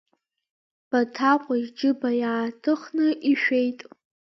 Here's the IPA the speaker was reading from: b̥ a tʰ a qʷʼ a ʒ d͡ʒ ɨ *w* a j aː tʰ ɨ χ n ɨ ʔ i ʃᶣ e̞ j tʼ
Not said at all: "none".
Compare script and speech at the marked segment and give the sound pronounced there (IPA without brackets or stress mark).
b